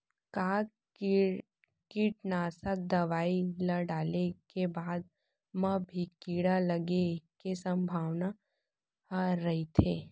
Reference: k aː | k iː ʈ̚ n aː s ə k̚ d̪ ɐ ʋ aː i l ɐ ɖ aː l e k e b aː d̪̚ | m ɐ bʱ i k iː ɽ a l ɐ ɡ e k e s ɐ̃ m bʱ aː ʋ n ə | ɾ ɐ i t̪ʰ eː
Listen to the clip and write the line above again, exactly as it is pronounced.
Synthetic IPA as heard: k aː | k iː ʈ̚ n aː s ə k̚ d̪ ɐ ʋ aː i l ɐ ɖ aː l e k e b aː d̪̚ | m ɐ bʱ i k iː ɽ a l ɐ ɡ e k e s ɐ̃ m bʱ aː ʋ n a | ɾ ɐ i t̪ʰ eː